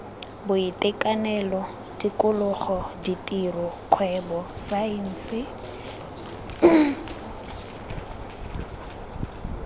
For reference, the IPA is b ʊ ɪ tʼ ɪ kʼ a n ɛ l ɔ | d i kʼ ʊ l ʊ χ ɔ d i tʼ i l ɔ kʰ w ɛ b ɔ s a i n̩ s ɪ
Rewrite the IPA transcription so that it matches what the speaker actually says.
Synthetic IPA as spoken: b ʊ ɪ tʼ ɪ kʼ a n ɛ l ɔ | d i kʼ ʊ l ʊ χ ɔ d i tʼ i r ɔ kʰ w ɛ b ɔ s a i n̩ s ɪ